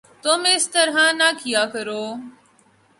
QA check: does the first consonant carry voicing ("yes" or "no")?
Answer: no